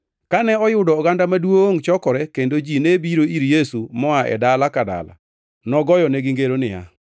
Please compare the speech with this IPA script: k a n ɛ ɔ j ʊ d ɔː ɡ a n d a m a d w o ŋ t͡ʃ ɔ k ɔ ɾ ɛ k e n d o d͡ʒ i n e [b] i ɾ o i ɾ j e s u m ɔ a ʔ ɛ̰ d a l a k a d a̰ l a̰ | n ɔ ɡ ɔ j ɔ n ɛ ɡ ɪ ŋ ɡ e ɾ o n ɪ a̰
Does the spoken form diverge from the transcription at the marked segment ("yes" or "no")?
no